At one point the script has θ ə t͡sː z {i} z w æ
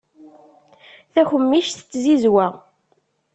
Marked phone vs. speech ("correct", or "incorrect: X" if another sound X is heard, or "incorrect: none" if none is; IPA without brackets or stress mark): correct